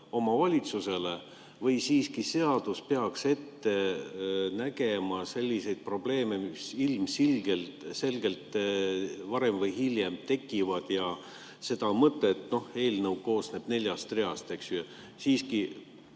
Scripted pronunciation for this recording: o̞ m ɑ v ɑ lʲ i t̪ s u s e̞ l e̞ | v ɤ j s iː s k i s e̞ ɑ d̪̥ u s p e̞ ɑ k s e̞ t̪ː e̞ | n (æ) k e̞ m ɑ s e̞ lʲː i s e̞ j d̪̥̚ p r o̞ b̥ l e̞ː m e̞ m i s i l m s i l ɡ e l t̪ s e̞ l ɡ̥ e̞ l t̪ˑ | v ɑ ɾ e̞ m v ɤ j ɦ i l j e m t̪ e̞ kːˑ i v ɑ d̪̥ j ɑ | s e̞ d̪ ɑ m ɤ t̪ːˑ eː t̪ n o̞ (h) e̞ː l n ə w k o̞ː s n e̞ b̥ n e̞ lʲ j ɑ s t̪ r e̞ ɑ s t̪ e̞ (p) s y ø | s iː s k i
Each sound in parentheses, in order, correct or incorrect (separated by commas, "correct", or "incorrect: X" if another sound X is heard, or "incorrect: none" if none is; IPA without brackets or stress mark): correct, correct, incorrect: k